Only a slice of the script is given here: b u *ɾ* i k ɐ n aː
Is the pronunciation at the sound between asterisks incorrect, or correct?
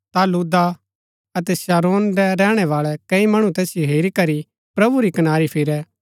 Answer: correct